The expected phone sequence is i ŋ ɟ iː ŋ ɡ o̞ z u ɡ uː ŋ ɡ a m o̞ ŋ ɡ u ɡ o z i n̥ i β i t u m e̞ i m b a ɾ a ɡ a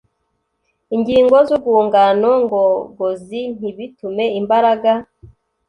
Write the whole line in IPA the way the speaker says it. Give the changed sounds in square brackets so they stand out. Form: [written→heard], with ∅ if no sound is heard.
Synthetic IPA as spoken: i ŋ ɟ iː ŋ ɡ o̞ z u ɡ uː ŋ ɡ a [m→n] o̞ ŋ ɡ [u→o] ɡ o z i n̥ i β i t u m e̞ i m b a ɾ a ɡ a